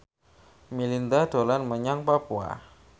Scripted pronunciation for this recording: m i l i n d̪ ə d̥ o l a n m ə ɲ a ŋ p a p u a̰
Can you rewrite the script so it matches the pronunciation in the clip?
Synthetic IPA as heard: m i l i n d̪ a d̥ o l a n m ə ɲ a ŋ p a p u a̰